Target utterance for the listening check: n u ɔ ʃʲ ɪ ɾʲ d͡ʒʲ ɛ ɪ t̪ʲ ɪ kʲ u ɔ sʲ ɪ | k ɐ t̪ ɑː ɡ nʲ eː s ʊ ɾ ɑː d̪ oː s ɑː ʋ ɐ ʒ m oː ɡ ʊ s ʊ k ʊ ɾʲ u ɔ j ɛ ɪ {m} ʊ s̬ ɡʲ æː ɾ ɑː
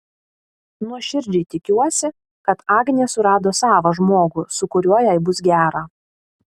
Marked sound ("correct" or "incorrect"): incorrect